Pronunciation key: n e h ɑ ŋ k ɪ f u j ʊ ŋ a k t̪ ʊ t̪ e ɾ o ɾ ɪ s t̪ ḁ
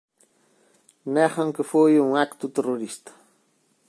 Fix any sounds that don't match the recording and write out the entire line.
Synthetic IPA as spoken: n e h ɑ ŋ k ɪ f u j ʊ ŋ a k t̪ ʊ t̪ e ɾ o ɾ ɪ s t̪ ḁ